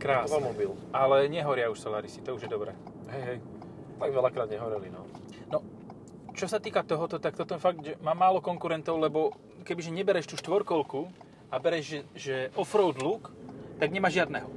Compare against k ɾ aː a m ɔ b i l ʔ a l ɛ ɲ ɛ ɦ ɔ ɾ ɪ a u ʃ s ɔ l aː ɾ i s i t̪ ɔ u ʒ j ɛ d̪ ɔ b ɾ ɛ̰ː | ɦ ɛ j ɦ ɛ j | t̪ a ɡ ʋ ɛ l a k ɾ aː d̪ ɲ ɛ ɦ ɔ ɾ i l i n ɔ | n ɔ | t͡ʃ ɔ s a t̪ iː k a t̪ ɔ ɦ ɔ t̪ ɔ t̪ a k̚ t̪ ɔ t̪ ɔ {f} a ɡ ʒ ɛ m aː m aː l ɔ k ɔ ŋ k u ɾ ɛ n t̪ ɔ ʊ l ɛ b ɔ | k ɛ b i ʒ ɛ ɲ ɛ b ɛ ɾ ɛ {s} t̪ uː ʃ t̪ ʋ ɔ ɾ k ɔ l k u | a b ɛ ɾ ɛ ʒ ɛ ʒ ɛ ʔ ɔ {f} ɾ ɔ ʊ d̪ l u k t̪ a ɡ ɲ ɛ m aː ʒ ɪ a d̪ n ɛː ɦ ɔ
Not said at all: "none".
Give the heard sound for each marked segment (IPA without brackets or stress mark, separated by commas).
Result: f, ʃ, f